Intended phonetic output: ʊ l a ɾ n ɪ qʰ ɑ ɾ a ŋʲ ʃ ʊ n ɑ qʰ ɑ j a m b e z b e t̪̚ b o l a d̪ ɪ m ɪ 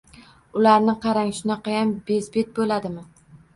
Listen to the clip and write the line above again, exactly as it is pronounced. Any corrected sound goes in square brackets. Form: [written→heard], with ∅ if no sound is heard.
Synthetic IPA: ʊ l a ɾ n ɪ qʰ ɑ ɾ a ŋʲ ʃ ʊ n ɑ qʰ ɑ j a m b e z b e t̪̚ b o l a d̪ ɪ m ɪ